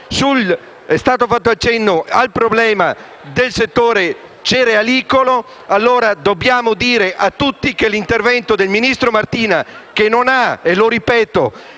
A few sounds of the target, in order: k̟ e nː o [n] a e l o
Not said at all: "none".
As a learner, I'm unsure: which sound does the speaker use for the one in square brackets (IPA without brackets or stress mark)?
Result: n